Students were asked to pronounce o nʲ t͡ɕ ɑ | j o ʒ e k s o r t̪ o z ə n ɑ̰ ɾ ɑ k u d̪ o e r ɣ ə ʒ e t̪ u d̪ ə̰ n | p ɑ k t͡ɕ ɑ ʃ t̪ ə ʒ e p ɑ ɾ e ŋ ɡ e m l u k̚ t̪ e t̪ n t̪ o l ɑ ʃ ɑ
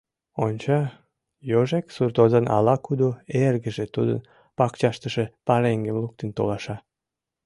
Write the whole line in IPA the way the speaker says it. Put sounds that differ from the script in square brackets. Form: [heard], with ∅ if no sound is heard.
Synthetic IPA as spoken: o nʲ t͡ɕ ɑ | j o ʒ e k s [u] r t̪ o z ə n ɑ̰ [l] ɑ k u d̪ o e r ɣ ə ʒ e t̪ u d̪ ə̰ n | p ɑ k t͡ɕ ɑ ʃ t̪ ə [ʃ] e p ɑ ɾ e ŋ ɡ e m l u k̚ t̪ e [∅] n t̪ o l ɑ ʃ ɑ

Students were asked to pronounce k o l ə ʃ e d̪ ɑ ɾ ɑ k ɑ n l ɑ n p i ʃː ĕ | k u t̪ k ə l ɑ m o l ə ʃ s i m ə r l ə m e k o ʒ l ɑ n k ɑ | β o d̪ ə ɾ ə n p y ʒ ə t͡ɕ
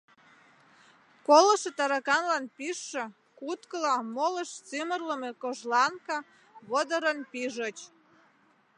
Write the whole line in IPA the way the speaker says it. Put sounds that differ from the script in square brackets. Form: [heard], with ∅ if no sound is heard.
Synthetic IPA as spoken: k o l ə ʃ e [t̪] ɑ ɾ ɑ k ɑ n l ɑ n p i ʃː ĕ | k u t̪ k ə l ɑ m o l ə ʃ [t͡s] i m ə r l ə m e k o ʒ l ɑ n k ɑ | β o d̪ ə ɾ ə n p [i] ʒ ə t͡ɕ

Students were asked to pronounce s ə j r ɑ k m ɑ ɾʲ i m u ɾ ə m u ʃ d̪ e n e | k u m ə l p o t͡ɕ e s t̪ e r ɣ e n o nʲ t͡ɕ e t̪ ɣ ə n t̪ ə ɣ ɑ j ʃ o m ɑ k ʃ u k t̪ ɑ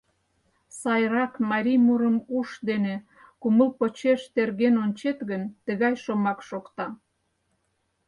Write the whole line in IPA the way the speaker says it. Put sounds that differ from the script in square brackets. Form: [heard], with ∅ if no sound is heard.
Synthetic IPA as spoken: s [ɑ] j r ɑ k m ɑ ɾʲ i m u ɾ ə m u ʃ d̪ e n e | k u m ə l p o t͡ɕ e [ʃ] t̪ e r ɣ e n o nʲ t͡ɕ e t̪ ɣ ə n t̪ ə ɣ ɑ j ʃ o m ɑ k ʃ [o] k t̪ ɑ

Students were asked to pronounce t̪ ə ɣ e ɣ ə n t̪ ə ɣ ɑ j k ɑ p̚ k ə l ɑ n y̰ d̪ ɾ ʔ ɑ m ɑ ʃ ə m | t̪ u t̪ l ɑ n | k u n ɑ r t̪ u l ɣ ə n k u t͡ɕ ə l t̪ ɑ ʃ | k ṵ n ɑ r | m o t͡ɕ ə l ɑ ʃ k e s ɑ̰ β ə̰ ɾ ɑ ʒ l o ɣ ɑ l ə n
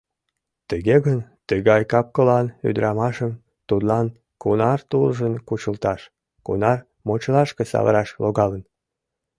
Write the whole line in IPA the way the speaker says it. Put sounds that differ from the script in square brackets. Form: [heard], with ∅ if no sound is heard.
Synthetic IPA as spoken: t̪ ə ɣ e ɣ ə n t̪ ə ɣ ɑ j k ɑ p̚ k ə l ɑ n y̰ d̪ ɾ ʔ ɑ m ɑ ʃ ə m | t̪ u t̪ l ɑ n | k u n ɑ r t̪ u l [ʒ] ə n k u t͡ɕ ə l t̪ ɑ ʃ | k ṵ n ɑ r | m o t͡ɕ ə l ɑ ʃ k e s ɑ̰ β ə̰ ɾ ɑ [ʃ] l o ɣ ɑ l ə n

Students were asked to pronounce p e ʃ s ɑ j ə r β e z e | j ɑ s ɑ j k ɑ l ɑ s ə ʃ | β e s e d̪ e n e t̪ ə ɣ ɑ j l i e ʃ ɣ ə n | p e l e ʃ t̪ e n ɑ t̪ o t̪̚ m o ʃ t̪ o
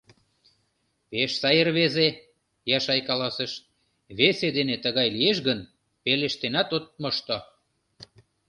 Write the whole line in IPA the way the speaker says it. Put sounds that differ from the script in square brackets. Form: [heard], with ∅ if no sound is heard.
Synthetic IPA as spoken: p e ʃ s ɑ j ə r β e z e | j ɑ [ʃ] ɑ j k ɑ l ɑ s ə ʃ | β e s e d̪ e n e t̪ ə ɣ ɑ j l i e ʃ ɣ ə n | p e l e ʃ t̪ e n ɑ t̪ o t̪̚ m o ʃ t̪ o

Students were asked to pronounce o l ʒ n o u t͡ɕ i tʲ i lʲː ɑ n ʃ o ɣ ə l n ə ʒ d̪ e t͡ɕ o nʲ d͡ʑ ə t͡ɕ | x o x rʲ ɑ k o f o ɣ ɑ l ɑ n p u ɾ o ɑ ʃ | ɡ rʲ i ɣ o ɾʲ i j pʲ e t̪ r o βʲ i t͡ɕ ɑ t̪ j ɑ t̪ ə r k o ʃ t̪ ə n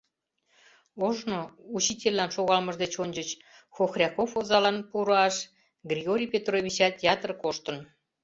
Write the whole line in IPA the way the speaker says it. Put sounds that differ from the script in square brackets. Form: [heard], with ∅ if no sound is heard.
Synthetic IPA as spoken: o [∅] ʒ n o u t͡ɕ i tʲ [e] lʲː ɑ n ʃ o ɣ [ɑ] l [m] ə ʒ d̪ e t͡ɕ o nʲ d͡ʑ ə t͡ɕ | x o x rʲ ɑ k o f o [z] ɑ l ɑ n p u ɾ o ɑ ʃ | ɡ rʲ i ɣ o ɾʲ i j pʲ e t̪ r o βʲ i t͡ɕ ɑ t̪ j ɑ t̪ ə r k o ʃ t̪ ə n

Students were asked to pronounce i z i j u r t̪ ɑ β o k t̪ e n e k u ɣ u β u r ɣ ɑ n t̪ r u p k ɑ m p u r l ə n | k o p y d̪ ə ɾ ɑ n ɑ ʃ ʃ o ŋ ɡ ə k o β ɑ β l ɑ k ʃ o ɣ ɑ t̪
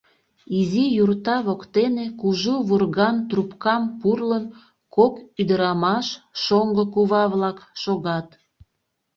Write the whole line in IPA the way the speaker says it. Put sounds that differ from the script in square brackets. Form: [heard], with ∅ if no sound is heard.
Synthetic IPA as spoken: i z i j u r t̪ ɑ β o k t̪ e n e k u [ʒ] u β u r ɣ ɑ n t̪ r u p k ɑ m p u r l ə n | k o [k] y d̪ ə ɾ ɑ [m] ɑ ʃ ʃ o ŋ ɡ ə k [u] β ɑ β l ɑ k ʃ o ɣ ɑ t̪

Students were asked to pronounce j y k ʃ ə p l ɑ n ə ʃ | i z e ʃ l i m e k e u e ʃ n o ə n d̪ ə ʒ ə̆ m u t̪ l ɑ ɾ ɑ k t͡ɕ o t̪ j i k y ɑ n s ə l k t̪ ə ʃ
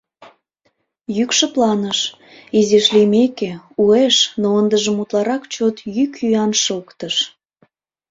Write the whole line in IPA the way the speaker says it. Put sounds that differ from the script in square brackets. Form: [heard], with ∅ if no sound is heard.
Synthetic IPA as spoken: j y k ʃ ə p l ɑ n ə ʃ | i z e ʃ l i m e k e u e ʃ n o ə n d̪ ə ʒ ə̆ m u t̪ l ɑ ɾ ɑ k t͡ɕ o t̪ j [y] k y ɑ n [ʃ] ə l k t̪ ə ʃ

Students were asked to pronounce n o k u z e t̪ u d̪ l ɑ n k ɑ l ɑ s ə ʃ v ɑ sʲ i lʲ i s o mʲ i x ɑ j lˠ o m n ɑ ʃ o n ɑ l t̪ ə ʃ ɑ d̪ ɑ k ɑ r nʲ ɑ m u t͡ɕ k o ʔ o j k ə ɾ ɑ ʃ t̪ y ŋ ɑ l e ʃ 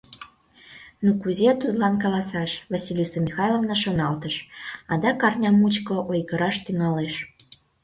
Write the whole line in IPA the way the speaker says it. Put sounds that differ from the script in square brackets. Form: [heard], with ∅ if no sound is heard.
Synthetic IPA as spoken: n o k u z e t̪ u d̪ l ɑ n k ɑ l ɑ s [ɑ] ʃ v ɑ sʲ i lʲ i s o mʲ i x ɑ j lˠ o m n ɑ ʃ o n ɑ l t̪ ə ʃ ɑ d̪ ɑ k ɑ r nʲ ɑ m u t͡ɕ k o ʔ o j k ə ɾ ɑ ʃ t̪ y ŋ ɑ l e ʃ

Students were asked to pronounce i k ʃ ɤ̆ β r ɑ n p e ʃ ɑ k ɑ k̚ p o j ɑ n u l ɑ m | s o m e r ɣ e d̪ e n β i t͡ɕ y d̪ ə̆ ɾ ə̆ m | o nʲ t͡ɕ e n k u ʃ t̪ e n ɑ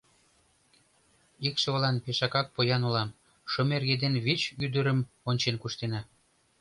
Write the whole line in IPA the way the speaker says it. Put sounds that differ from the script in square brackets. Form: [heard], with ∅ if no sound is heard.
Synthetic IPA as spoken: i k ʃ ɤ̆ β [l] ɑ n p e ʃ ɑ k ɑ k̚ p o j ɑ n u l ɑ m | [ʃ] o m e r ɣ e d̪ e n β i t͡ɕ y d̪ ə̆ ɾ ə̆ m | o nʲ t͡ɕ e n k u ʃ t̪ e n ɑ

